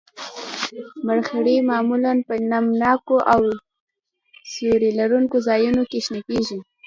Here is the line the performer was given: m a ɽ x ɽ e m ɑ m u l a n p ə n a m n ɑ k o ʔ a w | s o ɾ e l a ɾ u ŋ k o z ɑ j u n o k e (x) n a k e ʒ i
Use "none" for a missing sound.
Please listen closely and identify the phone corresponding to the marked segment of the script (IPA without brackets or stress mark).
ʃ